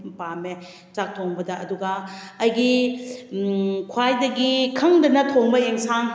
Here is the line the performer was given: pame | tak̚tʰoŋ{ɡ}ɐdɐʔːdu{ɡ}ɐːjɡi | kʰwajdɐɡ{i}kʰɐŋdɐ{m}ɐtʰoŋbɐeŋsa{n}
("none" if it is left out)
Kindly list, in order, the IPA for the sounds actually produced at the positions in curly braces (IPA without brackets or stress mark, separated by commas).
b, ɡ, i, n, ŋ